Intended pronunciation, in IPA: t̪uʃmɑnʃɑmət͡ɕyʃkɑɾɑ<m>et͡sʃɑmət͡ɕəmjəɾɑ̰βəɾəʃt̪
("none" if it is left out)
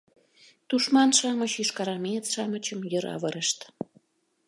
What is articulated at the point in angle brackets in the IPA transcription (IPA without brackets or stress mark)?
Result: m